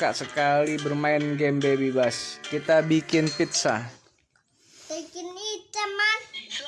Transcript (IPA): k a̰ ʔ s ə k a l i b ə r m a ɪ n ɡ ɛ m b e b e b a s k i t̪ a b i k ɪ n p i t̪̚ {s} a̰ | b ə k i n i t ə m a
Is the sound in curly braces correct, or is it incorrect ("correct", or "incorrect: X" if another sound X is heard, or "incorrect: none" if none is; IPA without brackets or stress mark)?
correct